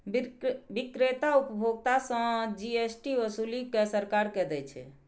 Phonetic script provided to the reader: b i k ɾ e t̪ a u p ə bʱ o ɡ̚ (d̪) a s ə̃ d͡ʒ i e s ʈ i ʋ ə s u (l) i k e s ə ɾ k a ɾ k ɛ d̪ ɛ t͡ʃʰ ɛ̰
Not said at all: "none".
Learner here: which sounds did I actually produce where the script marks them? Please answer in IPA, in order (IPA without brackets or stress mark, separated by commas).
t̪, l